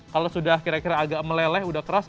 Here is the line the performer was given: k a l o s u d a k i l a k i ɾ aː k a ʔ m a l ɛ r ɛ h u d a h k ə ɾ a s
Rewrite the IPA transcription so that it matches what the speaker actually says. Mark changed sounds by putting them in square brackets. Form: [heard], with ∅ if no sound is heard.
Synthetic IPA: k a l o s u d a k i [ɾ] a k i ɾ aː [ɡ] a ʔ m [ə] l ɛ [l] ɛ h u d a h k ə ɾ a s